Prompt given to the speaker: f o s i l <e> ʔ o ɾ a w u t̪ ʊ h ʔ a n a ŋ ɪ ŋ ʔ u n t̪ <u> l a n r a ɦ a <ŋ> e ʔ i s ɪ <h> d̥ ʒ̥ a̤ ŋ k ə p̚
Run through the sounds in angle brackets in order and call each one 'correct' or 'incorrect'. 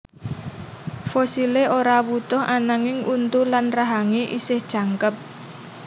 correct, correct, correct, correct

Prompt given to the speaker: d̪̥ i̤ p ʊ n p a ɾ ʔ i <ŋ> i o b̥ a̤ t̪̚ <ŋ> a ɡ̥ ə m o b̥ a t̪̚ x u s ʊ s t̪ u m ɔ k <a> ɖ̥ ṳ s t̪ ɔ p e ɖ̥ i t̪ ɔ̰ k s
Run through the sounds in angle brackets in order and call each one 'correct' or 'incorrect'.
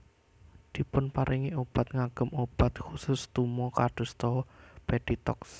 correct, correct, correct

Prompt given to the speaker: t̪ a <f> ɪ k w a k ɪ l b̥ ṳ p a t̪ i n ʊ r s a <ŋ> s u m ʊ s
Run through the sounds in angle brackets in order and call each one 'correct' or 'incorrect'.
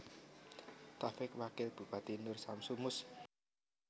correct, incorrect: m

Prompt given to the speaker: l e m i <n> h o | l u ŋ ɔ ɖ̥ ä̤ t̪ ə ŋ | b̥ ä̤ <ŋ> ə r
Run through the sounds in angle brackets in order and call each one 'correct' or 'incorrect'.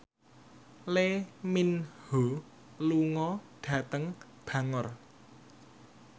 correct, correct

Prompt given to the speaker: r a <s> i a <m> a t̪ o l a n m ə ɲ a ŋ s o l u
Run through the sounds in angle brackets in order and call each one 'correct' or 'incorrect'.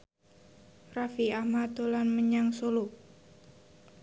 incorrect: f, correct

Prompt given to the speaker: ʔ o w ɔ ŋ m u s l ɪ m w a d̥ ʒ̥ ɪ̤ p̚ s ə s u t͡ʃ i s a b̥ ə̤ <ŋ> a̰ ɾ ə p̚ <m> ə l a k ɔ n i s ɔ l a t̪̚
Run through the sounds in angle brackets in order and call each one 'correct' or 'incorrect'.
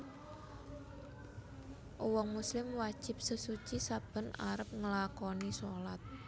incorrect: n, incorrect: ŋ

